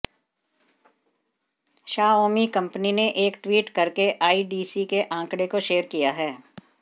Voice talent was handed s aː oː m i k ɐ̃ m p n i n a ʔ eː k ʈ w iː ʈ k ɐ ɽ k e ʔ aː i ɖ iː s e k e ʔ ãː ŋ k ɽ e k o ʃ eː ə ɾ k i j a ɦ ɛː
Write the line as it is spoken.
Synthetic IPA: ʃ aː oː m i k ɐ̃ m p n i n e ʔ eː k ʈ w iː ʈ k ɐ ɾ k e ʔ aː i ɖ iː s i k e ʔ ãː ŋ k ɽ e k o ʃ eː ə ɾ k i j a ɦ ɛː

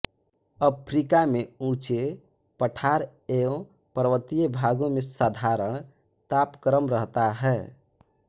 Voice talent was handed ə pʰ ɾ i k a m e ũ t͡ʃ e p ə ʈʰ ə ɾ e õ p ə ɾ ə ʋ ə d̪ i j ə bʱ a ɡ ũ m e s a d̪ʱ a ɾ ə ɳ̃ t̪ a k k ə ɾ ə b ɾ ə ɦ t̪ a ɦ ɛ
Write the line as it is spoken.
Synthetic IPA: ə pʰ ɾ i k a m e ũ t͡ʃ e p ə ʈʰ a ɾ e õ p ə ɾ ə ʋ ə t̪ i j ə bʱ a ɡ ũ m e s a d̪ʱ a ɾ ə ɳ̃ t̪ a p k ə ɾ ə m ɾ ə ɦ t̪ a ɦ ɛ

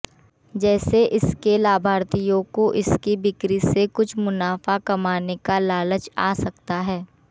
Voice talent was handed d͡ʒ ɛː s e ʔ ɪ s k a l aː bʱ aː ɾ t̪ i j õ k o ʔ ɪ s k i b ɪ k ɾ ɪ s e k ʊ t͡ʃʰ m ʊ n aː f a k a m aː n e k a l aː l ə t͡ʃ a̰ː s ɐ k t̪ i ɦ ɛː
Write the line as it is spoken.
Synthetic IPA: d͡ʒ ɛː s e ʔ ɪ s k e l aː bʱ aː ɾ t̪ i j õ k o ʔ ɪ s k i b ɪ k ɾ i s e k ʊ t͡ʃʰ m ʊ n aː f a k ɐ m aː n e k a l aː l ə t͡ʃ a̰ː s ɐ k t̪ a ɦ ɛː

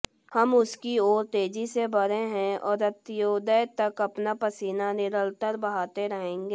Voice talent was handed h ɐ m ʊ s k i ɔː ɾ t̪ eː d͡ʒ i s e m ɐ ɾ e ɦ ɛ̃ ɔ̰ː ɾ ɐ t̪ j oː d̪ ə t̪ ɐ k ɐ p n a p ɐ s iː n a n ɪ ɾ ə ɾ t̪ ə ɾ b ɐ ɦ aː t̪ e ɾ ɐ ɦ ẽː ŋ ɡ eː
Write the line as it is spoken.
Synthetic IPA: h ɐ m ʊ s k i ɔː ɾ t̪ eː d͡ʒ i s e b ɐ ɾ e ɦ ɛ̃ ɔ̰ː ɾ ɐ t̪ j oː d̪ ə t̪ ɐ k ɐ p n a p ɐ s iː n a n ɪ ɾ ə l t̪ ə ɾ b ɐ ɦ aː t̪ e ɾ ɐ ɦ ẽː ŋ ɡ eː

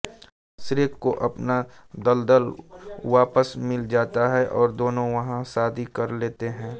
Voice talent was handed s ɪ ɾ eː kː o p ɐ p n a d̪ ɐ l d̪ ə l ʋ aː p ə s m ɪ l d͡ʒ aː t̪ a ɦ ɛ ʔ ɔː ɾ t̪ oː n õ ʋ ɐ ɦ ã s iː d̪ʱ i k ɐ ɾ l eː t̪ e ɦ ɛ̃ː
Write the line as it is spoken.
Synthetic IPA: s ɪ ɾ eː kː o ʔ ɐ p n a d̪ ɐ l d̪ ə l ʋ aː p ə s m ɪ l d͡ʒ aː t̪ a ɦ ɛ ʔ ɔː ɾ d̪ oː n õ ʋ ɐ ɦ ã s aː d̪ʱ i k ɐ ɾ l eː t̪ e ɦ ɛ̃ː

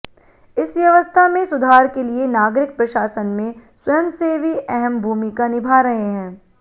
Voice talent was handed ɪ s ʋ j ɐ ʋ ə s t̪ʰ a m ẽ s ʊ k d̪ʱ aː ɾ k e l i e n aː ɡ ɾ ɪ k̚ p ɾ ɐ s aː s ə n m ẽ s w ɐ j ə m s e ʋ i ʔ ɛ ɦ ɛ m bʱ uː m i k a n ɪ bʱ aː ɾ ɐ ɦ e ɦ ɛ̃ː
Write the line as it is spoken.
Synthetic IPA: ɪ s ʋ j ɐ ʋ ə s t̪ʰ a m ẽ s ʊ d̪ʱ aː ɾ k e l i e n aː ɡ ɾ ɪ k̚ p ɾ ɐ ʃ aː s ə n m ẽ s w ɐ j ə m s e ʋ i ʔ ɛ ɦ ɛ m bʱ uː m i k a n ɪ bʱ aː ɾ ɐ ɦ e ɦ ɛ̃ː

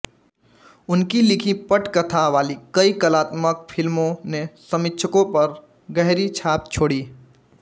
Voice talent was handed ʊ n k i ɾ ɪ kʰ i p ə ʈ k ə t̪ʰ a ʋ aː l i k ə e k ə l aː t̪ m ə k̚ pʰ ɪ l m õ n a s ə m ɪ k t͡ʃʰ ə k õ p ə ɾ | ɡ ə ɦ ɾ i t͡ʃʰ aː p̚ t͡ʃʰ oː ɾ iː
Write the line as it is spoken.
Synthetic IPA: ʊ n k i l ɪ kʰ i p ə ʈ k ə t̪ʰ a ʋ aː l i k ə i k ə l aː t̪ m ə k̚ pʰ ɪ l m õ n e s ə m ɪ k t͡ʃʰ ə k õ p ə ɾ | ɡ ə ɦ ɾ i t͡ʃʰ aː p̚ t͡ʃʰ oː ɽ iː

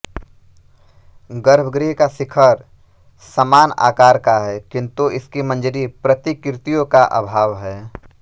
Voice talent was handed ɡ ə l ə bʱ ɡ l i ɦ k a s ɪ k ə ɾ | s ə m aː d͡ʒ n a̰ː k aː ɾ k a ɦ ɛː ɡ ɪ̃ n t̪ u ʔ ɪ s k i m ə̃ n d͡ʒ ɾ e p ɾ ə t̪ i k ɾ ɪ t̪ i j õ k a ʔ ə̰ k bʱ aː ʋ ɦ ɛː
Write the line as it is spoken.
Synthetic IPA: ɡ ə ɾ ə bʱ ɡ ɾ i ɦ k a s ɪ kʰ ə ɾ | s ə m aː n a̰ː k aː ɾ k a ɦ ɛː k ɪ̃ n t̪ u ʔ ɪ s k i m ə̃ n d͡ʒ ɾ i p ɾ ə t̪ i k ɾ ɪ t̪ i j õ k a ʔ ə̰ bʱ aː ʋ ɦ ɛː

